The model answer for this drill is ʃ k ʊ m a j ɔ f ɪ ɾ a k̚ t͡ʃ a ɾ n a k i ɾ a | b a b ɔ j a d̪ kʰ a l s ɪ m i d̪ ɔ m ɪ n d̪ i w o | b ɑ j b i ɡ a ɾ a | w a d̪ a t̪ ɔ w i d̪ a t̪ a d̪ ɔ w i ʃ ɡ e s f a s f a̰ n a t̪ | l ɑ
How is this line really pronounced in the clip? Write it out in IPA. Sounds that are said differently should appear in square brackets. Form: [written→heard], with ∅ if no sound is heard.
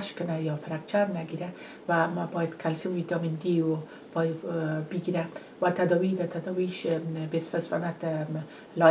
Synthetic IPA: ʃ k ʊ [m→n] a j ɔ f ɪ ɾ a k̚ t͡ʃ a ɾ n a [k→ɡ] i ɾ a | [b→w] a b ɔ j a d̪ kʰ a l s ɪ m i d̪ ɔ m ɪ n d̪ i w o | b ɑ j b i ɡ [a→i] ɾ a | w a [d̪→t̪] a [t̪→d̪] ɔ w i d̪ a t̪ a d̪ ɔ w i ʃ [ɡ→b] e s f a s f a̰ n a t̪ | l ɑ

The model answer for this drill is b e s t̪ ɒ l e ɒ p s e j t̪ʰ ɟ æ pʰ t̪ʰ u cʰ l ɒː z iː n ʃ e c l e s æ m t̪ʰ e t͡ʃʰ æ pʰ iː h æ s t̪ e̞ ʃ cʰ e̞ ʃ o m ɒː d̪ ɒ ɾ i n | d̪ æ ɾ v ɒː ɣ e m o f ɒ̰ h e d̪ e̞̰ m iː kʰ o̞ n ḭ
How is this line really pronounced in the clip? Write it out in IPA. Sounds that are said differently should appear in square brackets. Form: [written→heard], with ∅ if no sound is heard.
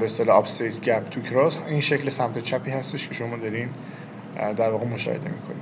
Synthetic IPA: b e s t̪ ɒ l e ɒ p s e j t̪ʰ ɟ æ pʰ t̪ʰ u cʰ [l→ɾ] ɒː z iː n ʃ e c l e s æ m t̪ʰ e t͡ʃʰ æ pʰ iː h æ s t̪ e̞ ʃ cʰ e̞ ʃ o m ɒː d̪ ɒ ɾ i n | d̪ æ ɾ v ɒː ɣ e m o [f→ʃ] ɒ̰ h e d̪ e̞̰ m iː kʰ o̞ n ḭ

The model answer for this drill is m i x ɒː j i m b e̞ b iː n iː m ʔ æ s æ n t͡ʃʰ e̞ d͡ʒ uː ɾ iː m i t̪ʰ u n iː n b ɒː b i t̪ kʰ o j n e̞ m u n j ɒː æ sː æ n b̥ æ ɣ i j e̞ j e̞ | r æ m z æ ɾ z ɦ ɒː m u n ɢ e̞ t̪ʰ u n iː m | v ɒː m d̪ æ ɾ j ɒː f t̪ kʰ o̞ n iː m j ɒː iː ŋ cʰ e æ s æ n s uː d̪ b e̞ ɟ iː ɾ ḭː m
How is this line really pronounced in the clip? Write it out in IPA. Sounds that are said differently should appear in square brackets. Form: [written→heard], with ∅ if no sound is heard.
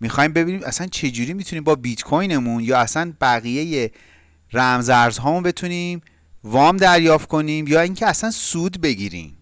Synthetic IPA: m i x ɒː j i m b e̞ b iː n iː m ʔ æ s æ n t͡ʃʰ e̞ d͡ʒ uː ɾ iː m i t̪ʰ u n iː [n→m] b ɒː b i t̪ kʰ o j n e̞ m u n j ɒː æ [sː→s] æ n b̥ æ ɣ i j e̞ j e̞ | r æ m z æ ɾ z ɦ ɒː m u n [ɢ→b] e̞ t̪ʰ u n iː m | v ɒː m d̪ æ ɾ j ɒː f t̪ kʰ o̞ n iː m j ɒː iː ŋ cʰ e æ s æ n s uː d̪ b e̞ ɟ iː ɾ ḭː m

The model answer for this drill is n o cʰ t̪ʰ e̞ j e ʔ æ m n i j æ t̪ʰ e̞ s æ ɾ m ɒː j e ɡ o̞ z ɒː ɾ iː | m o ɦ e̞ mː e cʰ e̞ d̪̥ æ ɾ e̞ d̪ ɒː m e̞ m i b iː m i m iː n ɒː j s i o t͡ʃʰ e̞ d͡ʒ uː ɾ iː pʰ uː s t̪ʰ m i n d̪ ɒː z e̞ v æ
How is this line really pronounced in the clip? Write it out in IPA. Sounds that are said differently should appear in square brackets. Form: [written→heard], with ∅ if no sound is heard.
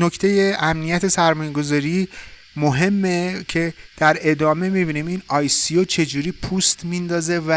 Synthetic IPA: n o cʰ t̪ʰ e̞ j e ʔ æ m n i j æ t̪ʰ e̞ s æ ɾ m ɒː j e ɡ o̞ z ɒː ɾ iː | m o ɦ e̞ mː e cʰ e̞ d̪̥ æ ɾ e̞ d̪ ɒː m e̞ m i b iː [m→n] i m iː n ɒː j s i o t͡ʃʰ e̞ d͡ʒ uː ɾ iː pʰ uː s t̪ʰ m i n d̪ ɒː z e̞ v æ

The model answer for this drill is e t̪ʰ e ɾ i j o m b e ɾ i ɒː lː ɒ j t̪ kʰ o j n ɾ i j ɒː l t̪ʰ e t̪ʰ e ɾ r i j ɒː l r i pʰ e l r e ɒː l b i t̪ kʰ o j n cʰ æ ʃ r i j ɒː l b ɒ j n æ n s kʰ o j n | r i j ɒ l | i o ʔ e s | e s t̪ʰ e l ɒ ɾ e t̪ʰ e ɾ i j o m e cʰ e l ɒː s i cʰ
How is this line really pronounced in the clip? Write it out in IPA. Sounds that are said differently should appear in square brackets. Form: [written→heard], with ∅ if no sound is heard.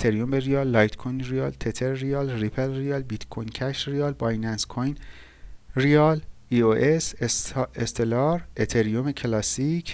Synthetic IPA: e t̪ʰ e ɾ i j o m b e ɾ i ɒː lː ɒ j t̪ kʰ o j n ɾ i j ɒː l t̪ʰ e t̪ʰ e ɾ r i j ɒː l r i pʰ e l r [e→i] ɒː l b i t̪ kʰ o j n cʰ æ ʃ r i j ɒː l b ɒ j n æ n s kʰ o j n | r i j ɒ l | i o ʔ e s | e s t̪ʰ e l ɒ ɾ e t̪ʰ e ɾ i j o m e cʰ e l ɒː s i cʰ

